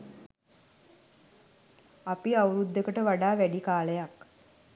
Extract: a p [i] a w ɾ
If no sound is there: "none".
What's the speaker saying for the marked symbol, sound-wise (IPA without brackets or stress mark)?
i